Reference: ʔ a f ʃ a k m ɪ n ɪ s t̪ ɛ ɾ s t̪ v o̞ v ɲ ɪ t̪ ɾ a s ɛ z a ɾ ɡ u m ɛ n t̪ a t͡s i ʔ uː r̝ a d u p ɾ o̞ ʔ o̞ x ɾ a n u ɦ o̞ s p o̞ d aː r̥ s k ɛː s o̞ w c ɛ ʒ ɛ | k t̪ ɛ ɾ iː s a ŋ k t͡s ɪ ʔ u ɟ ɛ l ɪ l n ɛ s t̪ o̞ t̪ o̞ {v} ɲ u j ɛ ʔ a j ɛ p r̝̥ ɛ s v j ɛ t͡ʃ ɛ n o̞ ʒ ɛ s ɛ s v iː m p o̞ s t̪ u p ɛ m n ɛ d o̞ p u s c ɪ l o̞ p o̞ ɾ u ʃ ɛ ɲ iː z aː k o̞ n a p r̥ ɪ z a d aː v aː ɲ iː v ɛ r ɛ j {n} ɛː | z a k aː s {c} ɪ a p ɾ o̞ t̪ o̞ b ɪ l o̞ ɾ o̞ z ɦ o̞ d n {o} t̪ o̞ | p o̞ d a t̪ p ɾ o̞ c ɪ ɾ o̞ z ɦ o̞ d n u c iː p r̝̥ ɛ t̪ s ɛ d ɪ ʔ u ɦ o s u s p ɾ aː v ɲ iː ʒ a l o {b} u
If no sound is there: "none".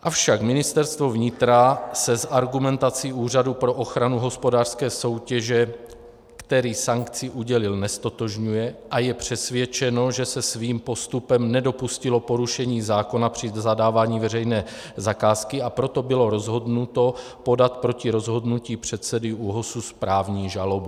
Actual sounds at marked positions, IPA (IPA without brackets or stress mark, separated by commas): ʒ, n, k, u, b